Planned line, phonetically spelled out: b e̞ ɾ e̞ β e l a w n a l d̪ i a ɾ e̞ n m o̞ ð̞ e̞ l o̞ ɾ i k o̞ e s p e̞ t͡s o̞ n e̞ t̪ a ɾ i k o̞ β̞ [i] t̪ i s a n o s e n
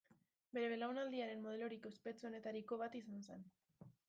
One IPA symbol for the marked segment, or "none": a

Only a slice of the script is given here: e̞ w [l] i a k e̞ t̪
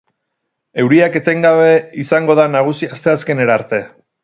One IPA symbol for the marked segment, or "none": ɾ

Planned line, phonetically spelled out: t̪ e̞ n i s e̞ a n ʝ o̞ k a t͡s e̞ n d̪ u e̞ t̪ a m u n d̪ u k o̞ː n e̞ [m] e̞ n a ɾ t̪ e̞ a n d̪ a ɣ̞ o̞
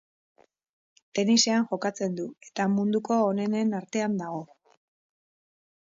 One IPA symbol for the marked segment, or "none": n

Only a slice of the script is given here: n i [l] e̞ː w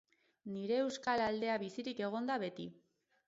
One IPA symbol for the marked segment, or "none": ɾ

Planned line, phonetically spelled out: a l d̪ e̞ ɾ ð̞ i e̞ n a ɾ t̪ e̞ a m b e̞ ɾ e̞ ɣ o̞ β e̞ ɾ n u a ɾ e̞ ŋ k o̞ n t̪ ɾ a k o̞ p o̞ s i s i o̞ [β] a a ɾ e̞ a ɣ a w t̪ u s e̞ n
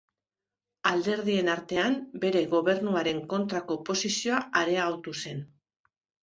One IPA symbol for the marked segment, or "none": none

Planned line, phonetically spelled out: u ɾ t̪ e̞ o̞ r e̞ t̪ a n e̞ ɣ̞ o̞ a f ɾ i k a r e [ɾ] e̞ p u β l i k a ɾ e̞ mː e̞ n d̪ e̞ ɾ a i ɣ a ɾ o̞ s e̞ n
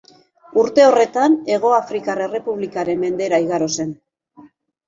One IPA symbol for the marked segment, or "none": r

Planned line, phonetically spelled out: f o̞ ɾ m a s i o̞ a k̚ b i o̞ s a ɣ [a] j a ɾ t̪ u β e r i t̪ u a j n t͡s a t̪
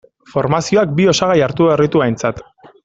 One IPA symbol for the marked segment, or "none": a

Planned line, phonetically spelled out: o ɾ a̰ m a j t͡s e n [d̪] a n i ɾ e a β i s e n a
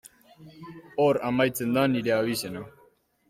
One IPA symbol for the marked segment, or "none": d̪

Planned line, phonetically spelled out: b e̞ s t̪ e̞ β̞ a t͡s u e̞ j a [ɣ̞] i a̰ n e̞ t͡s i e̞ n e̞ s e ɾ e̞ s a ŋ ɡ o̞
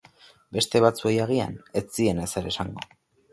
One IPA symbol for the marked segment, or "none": ɣ̞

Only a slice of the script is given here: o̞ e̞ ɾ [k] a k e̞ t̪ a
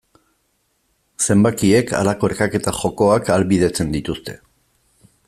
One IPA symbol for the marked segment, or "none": k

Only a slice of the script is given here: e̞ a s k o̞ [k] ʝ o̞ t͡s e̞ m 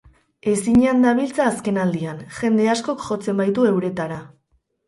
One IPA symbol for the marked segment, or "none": k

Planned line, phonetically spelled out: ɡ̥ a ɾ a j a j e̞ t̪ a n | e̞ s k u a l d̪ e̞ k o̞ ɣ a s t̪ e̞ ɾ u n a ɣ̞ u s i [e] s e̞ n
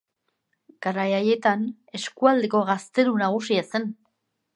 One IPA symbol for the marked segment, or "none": a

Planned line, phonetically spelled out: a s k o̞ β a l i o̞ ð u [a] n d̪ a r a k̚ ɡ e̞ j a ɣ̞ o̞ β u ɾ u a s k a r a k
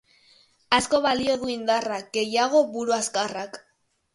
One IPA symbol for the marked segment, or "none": i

